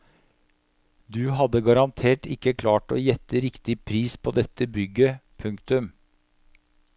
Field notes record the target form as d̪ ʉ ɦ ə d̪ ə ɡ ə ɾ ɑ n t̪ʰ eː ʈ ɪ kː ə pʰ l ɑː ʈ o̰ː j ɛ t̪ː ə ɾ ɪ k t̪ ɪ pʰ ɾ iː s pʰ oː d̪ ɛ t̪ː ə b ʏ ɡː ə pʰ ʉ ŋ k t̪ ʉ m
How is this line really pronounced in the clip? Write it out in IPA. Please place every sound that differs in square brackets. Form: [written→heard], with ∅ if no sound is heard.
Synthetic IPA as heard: d̪ ʉ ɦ [ə→ɑ] d̪ ə ɡ [ə→ɑ] ɾ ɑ n t̪ʰ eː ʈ ɪ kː ə [pʰ→kʰ] l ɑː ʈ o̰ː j ɛ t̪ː ə ɾ ɪ k t̪ ɪ pʰ ɾ iː s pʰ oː d̪ ɛ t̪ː ə b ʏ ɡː ə pʰ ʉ ŋ k t̪ ʉ m